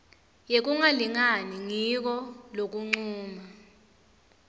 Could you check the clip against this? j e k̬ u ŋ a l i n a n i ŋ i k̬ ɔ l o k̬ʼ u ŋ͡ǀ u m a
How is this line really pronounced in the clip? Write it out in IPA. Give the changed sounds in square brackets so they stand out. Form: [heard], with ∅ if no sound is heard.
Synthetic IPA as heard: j e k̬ u ŋ a l i [ŋ] a n i ŋ i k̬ ɔ l o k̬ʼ u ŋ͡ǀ [uː] m a